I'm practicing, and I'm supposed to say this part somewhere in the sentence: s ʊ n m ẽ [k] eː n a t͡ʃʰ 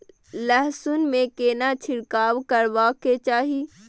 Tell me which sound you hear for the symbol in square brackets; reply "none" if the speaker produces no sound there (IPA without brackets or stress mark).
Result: k